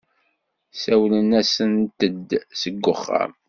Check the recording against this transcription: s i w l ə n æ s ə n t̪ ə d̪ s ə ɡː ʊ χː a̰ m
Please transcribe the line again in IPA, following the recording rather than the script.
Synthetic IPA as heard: s æ w l ə n æ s ə n t̪ ə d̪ s ə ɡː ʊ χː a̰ m